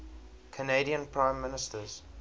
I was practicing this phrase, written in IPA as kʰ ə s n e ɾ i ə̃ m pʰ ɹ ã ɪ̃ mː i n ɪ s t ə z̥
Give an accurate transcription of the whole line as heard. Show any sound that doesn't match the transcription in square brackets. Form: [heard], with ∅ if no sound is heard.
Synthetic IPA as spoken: kʰ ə [∅] n e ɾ i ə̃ [n] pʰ ɹ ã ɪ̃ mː [ɪ] n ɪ s t ə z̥